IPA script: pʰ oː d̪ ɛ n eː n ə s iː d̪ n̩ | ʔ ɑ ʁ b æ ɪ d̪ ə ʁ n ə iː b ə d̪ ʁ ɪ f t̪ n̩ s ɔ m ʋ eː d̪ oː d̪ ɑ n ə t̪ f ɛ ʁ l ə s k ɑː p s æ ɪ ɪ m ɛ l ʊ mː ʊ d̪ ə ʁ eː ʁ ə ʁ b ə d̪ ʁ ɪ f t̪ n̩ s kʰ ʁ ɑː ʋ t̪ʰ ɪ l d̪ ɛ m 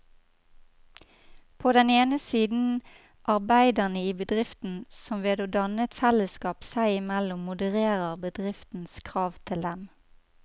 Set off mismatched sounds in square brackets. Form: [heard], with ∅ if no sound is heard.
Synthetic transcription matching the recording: pʰ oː d̪ ɛ n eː n ə s iː d̪ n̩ | ʔ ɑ ʁ b æ ɪ d̪ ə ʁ n ə iː b ə d̪ ʁ ɪ f t̪ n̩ s ɔ m ʋ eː d̪ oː d̪ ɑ n ə t̪ f ɛ [∅] l ə s k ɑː p s æ ɪ ɪ m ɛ l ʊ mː ʊ d̪ ə ʁ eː ʁ ə ʁ b ə d̪ ʁ ɪ f t̪ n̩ s kʰ ʁ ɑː ʋ t̪ʰ ɪ l d̪ ɛ m